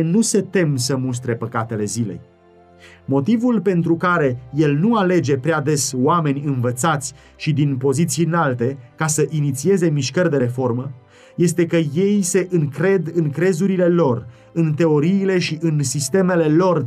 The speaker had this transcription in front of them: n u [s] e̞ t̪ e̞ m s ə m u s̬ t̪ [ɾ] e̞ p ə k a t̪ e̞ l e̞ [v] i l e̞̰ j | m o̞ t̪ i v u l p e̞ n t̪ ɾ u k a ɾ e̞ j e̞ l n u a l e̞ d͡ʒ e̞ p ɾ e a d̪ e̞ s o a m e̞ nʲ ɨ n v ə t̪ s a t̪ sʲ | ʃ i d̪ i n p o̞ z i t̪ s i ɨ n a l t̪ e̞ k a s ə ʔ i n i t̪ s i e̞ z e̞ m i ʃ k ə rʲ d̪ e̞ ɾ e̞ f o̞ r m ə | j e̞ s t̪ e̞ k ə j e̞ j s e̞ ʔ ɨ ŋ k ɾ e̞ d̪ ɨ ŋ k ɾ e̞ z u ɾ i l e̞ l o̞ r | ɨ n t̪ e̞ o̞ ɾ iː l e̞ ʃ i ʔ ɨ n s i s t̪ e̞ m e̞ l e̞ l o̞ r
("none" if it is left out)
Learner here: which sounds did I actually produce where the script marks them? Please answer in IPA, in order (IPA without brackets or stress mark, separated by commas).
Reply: s, ɾ, z